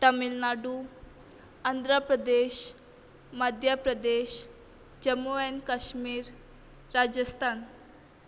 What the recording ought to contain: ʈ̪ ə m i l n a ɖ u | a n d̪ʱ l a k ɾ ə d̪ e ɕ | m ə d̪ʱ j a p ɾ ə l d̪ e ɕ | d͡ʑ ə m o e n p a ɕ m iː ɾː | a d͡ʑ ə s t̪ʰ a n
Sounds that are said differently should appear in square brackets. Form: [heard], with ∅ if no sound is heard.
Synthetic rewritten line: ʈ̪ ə m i l n a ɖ u | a n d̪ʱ [ɾ] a [p] ɾ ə d̪ e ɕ | m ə d̪ʱ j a p ɾ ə [∅] d̪ e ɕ | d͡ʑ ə m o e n [k] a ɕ m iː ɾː | a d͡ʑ ə s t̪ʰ a n